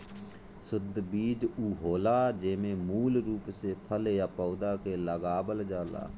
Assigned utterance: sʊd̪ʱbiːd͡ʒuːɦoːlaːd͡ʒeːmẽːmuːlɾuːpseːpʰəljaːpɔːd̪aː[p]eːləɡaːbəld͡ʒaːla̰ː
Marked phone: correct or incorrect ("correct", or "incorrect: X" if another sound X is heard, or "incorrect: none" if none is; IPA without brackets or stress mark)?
incorrect: k